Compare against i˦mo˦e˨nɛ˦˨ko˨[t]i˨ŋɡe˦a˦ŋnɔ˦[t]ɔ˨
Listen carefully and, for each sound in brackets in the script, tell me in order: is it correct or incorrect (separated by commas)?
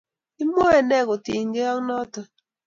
correct, correct